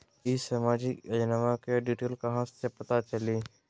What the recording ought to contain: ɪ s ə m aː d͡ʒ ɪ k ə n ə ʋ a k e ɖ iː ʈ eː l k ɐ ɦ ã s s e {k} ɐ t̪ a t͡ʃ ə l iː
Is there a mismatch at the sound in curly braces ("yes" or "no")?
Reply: yes